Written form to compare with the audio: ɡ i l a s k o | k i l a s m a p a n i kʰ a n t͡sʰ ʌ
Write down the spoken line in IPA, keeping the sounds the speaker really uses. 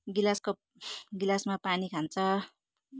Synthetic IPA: ɡ i l a s k o | ɡ i l a s m a p a n i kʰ a n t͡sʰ ʌ